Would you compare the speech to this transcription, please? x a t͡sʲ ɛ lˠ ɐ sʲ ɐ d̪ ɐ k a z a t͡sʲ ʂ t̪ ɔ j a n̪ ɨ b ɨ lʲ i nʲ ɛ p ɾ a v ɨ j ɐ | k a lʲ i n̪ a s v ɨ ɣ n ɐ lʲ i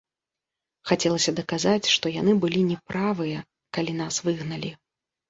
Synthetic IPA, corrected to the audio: x a t͡sʲ ɛ lˠ ɐ sʲ ɐ d̪ ɐ k a z a t͡sʲ ʂ t̪ ɔ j a n̪ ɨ b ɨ lʲ i nʲ ɛ p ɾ a v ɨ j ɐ | k a lʲ i n̪ a s v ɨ ɣ n ɐ lʲ i